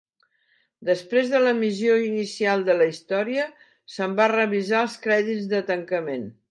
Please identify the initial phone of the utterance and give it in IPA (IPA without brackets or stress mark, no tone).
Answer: d̪